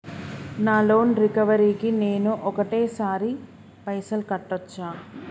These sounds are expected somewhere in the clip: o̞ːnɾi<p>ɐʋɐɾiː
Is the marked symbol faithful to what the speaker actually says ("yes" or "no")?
no